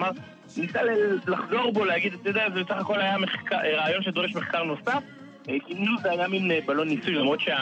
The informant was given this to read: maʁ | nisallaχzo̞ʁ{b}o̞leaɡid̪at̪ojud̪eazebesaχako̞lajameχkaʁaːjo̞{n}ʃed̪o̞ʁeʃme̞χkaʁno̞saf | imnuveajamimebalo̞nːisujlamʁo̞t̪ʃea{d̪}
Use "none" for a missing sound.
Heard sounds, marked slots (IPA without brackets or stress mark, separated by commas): b, n, none